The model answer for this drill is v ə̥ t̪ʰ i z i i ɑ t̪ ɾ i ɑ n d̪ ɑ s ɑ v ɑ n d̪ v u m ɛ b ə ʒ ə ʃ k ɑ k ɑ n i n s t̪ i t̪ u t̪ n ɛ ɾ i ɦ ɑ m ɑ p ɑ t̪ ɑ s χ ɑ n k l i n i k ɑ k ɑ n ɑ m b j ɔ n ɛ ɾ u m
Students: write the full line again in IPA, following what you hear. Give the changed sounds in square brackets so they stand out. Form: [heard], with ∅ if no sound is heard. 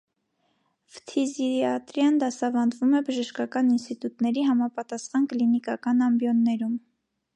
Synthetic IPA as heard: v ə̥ t̪ʰ i z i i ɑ t̪ ɾ [j] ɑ n d̪ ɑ s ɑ v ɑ n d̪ v u m ɛ b ə ʒ ə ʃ k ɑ k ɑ n i n s t̪ i t̪ u t̪ n ɛ ɾ i ɦ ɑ m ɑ p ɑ t̪ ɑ s χ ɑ n k l i n i k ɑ k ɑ n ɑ m b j ɔ [nː] ɛ ɾ u m